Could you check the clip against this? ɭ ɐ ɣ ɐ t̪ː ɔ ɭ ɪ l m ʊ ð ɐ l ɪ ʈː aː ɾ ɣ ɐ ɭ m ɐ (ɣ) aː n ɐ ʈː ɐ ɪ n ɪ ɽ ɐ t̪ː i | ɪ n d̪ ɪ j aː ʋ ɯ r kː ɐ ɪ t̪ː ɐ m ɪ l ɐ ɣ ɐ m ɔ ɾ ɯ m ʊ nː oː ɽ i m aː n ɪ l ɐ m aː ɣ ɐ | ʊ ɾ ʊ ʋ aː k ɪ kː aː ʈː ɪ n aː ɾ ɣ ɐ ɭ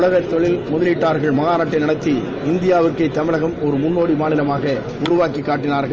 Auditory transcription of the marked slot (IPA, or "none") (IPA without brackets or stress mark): ɣ